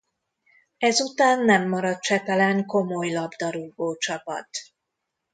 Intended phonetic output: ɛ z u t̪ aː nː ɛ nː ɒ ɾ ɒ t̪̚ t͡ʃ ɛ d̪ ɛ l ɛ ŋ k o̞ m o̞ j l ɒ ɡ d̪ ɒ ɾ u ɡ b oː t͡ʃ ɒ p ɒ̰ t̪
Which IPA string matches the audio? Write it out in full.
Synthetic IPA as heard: ɛ z u t̪ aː nː ɛ mː ɒ ɾ ɒ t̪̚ t͡ʃ ɛ t̪ ɛ l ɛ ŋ k o̞ m o̞ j l ɒ b d̪ ɒ ɾ u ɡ b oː t͡ʃ ɒ p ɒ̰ t̪

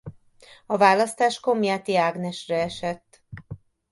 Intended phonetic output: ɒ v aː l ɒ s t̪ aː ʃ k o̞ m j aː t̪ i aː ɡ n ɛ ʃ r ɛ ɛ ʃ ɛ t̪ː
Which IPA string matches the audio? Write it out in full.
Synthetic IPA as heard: ɒ v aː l ɒ s t̪ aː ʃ k o̞ m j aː t̪ i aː ɡ n ɛ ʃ r ɛ ɛ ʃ ɛ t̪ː

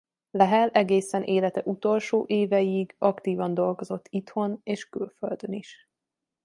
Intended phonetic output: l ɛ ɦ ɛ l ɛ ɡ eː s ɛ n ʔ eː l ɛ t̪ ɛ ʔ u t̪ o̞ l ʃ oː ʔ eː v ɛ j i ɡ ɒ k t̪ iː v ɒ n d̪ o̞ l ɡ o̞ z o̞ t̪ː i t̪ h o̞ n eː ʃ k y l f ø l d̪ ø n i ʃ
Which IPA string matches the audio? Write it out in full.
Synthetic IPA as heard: l ɛ ɦ ɛ l ɛ ɡ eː s ɛ n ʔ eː l ɛ t̪ ɛ ʔ u t̪ o̞ l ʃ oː ʔ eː v ɛ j i ɡ ɒ k t̪ iː v ɒ n d̪ o̞ l ɡ o̞ z o̞ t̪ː i t̪ h o̞ n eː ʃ k y l f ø l d̪ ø n i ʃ

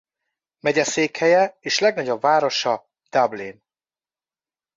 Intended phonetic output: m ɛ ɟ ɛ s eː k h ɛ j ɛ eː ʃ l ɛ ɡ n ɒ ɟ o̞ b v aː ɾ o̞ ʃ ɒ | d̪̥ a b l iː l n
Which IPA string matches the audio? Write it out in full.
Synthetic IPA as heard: m ɛ ɟ ɛ s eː k h ɛ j ɛ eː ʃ l ɛ ɡ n ɒ ɟ o̞ b v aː ɾ o̞ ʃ ɒ | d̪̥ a b l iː n

